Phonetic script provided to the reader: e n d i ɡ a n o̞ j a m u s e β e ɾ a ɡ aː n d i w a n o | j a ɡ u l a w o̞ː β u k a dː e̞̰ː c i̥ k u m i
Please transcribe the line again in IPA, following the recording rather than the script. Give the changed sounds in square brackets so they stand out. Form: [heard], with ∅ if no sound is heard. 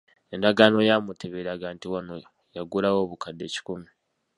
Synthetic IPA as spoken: e n d [a] ɡ a n o̞ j a m u [t] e β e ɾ a ɡ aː n [t] i w a n o | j a ɡ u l a w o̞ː β u k a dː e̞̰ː c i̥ k u m i